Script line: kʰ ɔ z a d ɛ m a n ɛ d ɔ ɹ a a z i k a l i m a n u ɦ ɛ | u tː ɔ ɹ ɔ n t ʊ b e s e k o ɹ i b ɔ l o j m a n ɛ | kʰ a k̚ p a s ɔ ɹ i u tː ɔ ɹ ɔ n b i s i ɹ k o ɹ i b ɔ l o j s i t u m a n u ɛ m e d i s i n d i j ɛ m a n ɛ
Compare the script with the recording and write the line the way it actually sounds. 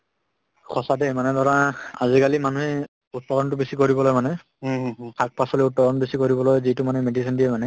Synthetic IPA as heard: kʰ ɔ s a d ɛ m a n ɛ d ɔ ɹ a a z i k a l i m a n u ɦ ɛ | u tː ɔ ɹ ɔ n t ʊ b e s i k o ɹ i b ɔ l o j m a n ɛ | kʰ a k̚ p a s ɔ l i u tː ɔ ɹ ɔ n b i s i k o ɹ i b ɔ l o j z i t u m a n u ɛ m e d i s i n d i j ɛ m a n ɛ